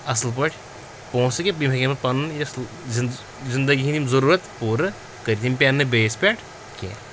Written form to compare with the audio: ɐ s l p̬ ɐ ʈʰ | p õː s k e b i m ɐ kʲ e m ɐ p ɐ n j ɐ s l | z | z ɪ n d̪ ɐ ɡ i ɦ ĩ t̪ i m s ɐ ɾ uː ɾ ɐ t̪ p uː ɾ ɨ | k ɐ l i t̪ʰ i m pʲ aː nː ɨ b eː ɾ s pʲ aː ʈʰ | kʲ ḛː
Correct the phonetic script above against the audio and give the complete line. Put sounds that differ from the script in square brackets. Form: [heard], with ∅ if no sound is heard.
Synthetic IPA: ɐ s l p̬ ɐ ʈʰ | p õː s k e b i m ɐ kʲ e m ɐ p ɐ n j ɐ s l | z | z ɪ n d̪ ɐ ɡ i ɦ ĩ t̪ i m [z] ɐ ɾ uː ɾ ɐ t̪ p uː ɾ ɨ | k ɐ [ɾ] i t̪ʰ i m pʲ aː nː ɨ b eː [∅] s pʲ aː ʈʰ | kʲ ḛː